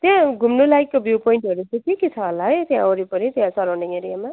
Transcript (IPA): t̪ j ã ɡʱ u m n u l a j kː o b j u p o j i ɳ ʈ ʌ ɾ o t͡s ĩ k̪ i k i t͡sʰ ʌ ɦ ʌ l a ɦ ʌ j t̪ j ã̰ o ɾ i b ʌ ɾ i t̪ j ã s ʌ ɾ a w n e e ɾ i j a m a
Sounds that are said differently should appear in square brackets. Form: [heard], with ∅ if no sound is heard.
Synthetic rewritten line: t̪ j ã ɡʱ u m n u l a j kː o b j u p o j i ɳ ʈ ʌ ɾ [u] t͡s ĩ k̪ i k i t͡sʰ ʌ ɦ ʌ l a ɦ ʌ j t̪ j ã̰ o ɾ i [p] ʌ ɾ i t̪ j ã s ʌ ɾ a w n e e ɾ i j a m a

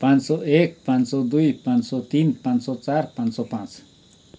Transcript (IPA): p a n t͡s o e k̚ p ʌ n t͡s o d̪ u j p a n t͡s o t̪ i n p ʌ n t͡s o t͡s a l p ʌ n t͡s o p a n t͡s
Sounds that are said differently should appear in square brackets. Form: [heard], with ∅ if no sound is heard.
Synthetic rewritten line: p a n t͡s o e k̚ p [a] n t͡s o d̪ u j p a n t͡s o t̪ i n p [a] n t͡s o t͡s a [ɾ] p [a] n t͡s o p a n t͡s

